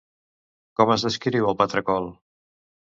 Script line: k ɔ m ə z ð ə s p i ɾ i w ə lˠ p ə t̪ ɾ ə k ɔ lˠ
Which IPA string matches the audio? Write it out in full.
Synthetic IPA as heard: k ɔ m ə z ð ə s k i ɾ i w ə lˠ p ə t̪ ɾ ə k ɔ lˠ